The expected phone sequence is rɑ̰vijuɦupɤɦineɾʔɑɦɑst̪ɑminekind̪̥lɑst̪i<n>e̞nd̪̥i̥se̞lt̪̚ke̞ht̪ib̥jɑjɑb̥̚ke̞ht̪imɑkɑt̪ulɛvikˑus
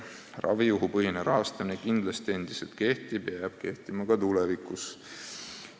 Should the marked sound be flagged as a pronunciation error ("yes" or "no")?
yes